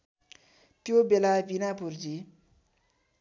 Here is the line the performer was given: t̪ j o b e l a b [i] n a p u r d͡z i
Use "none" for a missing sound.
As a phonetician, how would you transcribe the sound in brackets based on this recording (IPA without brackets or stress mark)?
i